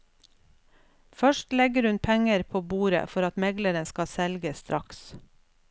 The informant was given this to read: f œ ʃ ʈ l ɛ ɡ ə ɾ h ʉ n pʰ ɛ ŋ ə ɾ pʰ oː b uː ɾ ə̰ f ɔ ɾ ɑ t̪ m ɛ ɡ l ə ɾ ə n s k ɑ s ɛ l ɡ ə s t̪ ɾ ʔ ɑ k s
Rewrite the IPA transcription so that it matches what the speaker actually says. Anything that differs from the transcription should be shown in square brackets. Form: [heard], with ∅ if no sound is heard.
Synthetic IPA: f œ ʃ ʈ l ɛ ɡ ə ɾ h ʉ n pʰ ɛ ŋ ə ɾ pʰ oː b uː ɾ ə̰ f ɔ ɾ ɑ t̪ m ɛ ɡ l ə ɾ ə n s k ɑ s ɛ l ɡ ə s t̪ ɾ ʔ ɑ k s